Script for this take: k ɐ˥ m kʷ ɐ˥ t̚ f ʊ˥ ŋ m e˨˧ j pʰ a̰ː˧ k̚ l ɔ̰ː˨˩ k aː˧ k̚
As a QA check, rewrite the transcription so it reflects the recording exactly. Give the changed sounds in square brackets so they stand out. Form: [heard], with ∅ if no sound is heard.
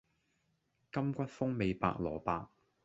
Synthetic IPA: k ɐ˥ m kʷ ɐ˥ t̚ f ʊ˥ ŋ m e˨˧ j [p] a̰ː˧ k̚ l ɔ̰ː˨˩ [p] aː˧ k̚

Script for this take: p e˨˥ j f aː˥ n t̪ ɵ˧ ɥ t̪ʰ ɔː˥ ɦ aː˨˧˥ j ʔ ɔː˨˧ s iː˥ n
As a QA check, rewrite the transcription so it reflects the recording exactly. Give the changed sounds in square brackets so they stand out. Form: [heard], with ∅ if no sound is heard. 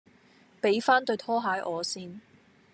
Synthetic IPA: p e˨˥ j f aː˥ n t̪ ɵ˧ ɥ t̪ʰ ɔː˥ ɦ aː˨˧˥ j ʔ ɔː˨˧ s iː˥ n

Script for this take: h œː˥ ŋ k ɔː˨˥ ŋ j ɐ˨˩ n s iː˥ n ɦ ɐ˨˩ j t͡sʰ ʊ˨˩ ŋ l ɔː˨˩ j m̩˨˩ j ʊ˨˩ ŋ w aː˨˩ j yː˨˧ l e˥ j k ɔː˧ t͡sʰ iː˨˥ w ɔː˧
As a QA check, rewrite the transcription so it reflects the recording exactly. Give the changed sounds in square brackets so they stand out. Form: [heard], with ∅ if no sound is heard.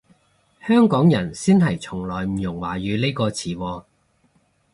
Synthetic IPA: h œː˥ ŋ k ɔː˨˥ ŋ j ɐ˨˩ n s iː˥ n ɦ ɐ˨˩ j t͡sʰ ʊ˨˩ ŋ l ɔː˨˩ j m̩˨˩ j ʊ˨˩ ŋ w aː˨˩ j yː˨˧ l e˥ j k ɔː˧ t͡sʰ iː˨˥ w ɔː˧

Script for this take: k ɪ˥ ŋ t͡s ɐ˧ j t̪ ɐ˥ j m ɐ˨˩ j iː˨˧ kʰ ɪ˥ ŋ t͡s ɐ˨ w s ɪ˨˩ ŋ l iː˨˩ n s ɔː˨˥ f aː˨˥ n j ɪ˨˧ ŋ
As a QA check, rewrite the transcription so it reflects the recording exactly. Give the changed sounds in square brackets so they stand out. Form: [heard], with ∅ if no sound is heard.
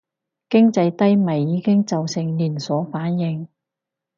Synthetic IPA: k ɪ˥ ŋ t͡s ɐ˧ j t̪ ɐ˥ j m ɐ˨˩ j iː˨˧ [k] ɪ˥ ŋ t͡s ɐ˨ w s ɪ˨˩ ŋ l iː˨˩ n s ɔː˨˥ f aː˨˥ n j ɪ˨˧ ŋ

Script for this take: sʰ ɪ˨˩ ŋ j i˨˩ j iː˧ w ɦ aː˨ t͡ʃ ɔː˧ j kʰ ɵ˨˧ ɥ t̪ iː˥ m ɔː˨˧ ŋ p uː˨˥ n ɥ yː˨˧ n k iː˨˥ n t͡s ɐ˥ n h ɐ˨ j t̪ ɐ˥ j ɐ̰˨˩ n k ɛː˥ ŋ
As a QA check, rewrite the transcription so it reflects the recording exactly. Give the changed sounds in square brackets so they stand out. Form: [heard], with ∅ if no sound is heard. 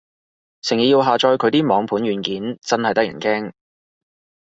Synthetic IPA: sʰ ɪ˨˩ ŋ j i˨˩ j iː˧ w ɦ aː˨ t͡ʃ ɔː˧ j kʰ ɵ˨˧ ɥ t̪ iː˥ m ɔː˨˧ ŋ [pʰ] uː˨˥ n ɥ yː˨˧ n k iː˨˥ n t͡s ɐ˥ n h ɐ˨ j t̪ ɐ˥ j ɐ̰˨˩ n k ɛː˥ ŋ

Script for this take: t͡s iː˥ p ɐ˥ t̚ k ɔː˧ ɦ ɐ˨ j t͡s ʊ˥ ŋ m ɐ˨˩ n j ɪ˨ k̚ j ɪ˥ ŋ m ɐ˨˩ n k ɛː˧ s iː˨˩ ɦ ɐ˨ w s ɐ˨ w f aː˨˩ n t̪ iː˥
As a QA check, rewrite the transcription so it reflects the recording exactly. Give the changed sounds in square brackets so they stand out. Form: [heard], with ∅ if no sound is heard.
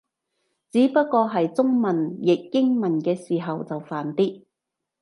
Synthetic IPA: t͡s [iː˨˥] p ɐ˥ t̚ k ɔː˧ ɦ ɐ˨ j t͡s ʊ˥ ŋ m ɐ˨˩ n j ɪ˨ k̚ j ɪ˥ ŋ m ɐ˨˩ n k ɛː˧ s iː˨˩ ɦ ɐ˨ w [t͡s] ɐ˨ w f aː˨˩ n t̪ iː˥

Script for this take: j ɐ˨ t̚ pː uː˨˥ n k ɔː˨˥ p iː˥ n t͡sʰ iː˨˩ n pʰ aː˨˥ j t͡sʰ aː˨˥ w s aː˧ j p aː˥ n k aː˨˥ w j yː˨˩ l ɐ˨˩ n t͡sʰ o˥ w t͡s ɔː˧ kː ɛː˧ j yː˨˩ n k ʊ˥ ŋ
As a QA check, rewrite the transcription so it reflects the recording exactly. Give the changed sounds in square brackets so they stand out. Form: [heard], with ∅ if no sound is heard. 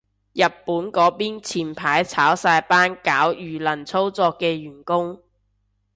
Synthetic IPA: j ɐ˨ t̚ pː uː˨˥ n k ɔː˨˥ p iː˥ n t͡sʰ iː˨˩ n pʰ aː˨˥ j t͡sʰ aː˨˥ w s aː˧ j p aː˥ n k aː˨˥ w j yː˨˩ l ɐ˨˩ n t͡sʰ o˥ w t͡s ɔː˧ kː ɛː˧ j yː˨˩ n k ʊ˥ ŋ

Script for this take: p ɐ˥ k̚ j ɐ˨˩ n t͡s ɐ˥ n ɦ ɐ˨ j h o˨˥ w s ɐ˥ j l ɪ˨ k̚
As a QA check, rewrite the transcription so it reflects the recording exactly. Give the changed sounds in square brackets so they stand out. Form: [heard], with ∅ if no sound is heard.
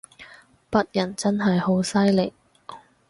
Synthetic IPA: p ɐ˥ [t̚] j ɐ˨˩ n t͡s ɐ˥ n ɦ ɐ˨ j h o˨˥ w s ɐ˥ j l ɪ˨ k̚

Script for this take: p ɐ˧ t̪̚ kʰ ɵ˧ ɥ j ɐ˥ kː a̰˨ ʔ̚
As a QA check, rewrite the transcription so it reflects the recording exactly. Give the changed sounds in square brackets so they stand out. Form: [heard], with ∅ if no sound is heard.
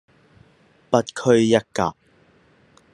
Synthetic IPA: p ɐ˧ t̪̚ kʰ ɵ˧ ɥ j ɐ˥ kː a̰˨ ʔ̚

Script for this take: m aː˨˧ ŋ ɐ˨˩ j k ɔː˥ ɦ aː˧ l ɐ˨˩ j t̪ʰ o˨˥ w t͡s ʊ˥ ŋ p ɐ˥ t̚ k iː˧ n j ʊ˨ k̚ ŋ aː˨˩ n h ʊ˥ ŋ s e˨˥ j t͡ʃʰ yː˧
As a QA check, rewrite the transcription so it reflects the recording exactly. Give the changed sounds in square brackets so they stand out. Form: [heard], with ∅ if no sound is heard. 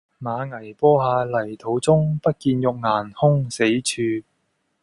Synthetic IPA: m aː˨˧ ŋ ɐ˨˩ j [p] ɔː˥ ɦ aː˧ l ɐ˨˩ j t̪ʰ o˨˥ w t͡s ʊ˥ ŋ p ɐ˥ t̚ k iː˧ n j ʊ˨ k̚ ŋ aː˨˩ n h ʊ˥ ŋ s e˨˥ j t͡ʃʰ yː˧

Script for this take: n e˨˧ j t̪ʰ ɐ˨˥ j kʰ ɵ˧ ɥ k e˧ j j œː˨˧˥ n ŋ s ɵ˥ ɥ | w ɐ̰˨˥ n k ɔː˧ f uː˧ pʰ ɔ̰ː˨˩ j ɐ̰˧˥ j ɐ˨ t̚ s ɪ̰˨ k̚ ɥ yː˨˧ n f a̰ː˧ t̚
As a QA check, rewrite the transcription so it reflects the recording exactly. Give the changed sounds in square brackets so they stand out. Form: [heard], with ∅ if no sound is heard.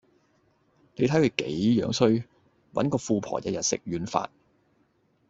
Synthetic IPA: n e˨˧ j t̪ʰ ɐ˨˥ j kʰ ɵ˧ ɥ k [e˨˥] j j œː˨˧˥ [∅] ŋ s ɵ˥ ɥ | w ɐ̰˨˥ n k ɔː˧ f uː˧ pʰ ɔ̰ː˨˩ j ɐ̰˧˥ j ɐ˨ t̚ s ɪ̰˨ k̚ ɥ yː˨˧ n f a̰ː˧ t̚

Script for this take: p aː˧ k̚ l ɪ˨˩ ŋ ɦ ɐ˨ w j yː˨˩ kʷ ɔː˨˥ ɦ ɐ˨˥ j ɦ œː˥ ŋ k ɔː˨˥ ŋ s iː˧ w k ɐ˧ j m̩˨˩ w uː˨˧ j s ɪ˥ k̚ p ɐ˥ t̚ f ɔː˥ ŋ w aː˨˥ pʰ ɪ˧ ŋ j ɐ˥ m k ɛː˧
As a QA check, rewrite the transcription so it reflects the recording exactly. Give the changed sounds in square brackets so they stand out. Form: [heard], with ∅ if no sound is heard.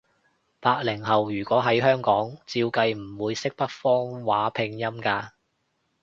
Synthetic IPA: p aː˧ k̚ l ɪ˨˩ ŋ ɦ ɐ˨ w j yː˨˩ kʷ ɔː˨˥ ɦ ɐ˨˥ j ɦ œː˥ ŋ k ɔː˨˥ ŋ [t͡s] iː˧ w k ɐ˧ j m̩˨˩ w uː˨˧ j s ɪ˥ k̚ p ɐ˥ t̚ f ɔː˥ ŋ w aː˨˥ pʰ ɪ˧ ŋ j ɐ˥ m k [aː˧]

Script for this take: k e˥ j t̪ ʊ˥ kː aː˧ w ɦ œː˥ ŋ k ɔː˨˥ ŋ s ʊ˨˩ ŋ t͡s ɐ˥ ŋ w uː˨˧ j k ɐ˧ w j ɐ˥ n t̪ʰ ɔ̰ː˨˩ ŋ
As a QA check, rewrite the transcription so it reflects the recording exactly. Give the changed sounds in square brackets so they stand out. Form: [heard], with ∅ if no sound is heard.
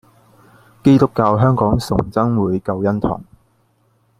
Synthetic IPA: k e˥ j t̪ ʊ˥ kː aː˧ w ɦ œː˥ ŋ k ɔː˨˥ ŋ s ʊ˨˩ ŋ t͡s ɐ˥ ŋ w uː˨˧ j k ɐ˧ w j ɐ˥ n t̪ʰ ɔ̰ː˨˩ ŋ

